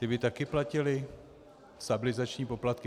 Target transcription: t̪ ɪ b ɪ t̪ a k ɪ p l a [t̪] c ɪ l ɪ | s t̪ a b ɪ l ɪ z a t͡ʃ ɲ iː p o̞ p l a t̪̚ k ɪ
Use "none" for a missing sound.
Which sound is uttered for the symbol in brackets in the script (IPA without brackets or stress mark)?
none